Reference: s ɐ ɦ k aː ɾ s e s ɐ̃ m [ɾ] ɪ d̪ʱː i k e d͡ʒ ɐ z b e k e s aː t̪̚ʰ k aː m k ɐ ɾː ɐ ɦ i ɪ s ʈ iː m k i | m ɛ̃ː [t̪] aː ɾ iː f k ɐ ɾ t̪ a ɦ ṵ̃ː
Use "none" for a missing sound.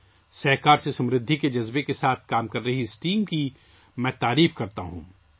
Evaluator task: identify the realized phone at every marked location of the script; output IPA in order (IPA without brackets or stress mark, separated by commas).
ɾ, t̪